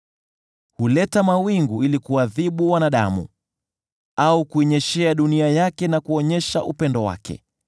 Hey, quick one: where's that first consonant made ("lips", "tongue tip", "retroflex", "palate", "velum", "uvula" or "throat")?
throat